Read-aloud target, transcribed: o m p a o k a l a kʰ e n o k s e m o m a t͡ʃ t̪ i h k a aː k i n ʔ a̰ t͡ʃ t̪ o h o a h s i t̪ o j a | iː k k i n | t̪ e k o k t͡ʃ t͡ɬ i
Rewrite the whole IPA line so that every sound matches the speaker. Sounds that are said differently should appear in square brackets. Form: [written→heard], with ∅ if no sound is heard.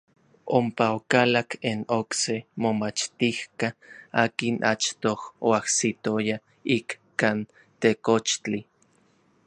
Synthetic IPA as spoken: o m p a o k a l a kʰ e n o k s e m o m a t͡ʃ t̪ i h k a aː k i n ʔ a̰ t͡ʃ t̪ o h o a h s i t̪ o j a | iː k k [i→a] n | t̪ e k o [k→∅] t͡ʃ t͡ɬ i